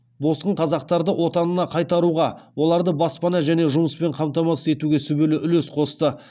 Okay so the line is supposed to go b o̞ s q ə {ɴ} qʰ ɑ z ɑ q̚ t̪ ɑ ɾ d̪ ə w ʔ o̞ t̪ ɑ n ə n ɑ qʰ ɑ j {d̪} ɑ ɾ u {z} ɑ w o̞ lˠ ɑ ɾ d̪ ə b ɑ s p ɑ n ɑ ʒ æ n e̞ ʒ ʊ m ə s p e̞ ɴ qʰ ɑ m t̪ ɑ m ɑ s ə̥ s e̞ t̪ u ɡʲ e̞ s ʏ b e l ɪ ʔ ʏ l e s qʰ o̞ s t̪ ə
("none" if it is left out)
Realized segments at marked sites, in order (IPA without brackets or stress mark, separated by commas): ɴ, t̪, ʁ